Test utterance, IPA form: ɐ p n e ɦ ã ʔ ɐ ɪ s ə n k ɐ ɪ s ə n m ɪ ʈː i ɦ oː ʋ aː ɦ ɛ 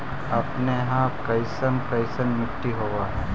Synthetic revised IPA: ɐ p n e ɦ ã k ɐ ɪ s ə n k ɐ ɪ s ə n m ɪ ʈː i ɦ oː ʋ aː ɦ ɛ

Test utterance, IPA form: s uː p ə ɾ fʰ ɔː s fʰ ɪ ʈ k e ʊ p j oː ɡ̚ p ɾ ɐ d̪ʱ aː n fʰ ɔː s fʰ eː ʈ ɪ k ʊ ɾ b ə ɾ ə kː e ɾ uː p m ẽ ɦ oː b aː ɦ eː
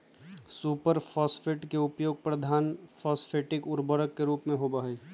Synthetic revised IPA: s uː p ə ɾ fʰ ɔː s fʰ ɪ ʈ k e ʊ p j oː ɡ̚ p ɾ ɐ d̪ʱ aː n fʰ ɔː s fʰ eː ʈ ɪ k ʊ ɾ b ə ɾ ə kː e ɾ uː p m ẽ ɦ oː b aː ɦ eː

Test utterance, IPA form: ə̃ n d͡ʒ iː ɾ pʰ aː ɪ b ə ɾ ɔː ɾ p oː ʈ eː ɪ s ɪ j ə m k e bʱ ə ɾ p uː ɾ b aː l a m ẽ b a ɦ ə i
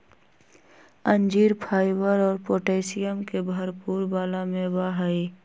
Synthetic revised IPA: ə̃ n d͡ʒ iː ɾ pʰ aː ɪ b ə ɾ ɔː ɾ p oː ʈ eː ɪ s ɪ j ə m k e bʱ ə ɾ p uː ɾ b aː l a m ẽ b a ɦ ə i

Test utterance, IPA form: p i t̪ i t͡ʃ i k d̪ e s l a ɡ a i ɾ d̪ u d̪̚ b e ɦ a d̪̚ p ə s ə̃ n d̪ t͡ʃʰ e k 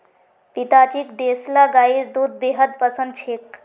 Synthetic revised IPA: p i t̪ a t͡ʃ i k d̪ e s l a ɡ a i ɾ d̪ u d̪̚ b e ɦ ə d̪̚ p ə s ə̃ n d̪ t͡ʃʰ e k

